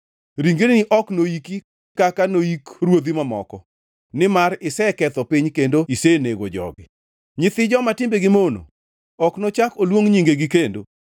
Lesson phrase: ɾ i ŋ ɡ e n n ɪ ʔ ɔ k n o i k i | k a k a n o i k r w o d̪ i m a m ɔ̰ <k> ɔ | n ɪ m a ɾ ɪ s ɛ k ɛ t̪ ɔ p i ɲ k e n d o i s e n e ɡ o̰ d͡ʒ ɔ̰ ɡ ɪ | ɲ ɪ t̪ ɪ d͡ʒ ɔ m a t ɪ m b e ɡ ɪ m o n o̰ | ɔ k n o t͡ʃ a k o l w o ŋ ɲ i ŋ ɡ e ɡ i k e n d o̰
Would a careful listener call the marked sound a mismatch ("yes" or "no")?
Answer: no